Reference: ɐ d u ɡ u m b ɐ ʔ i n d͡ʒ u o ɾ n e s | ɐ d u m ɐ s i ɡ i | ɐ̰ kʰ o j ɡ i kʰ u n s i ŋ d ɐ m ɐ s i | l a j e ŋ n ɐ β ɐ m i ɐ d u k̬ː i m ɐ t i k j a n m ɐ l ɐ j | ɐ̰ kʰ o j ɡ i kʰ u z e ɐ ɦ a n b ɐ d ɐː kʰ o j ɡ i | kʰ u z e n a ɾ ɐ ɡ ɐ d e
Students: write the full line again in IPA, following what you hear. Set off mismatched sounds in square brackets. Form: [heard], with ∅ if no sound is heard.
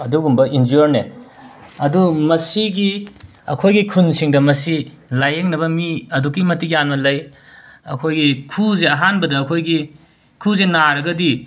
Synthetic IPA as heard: ɐ d u ɡ u m b ɐ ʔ i n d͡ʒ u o ɾ n e [∅] | ɐ d u m ɐ s i ɡ i | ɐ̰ kʰ o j ɡ i kʰ u n s i ŋ d ɐ m ɐ s i | l a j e ŋ n ɐ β ɐ m i ɐ d u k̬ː i m ɐ t i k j a n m ɐ l ɐ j | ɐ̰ kʰ o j ɡ i kʰ u z e ɐ ɦ a n b ɐ d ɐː kʰ o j ɡ i | kʰ u z e n a ɾ ɐ ɡ ɐ d [i]